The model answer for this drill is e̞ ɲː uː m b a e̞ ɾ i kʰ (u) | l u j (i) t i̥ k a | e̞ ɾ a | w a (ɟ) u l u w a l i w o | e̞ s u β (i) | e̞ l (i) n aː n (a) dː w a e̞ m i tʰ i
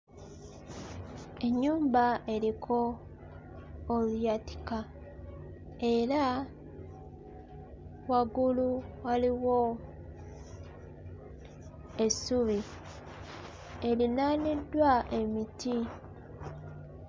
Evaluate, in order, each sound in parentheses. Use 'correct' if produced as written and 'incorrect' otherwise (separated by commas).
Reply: incorrect, incorrect, incorrect, correct, correct, incorrect